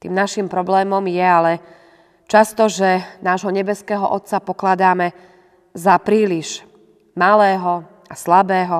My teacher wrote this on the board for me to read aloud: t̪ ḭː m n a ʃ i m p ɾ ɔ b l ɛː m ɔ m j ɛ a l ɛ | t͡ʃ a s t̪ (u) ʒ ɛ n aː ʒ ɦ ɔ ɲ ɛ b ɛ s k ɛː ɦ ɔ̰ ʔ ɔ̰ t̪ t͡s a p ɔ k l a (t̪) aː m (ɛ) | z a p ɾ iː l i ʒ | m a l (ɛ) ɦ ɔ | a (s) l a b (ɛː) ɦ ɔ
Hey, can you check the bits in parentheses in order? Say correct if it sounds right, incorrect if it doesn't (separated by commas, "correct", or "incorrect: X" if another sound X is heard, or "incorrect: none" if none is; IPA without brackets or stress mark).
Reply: incorrect: ɔ, incorrect: d̪, correct, incorrect: ɛː, correct, correct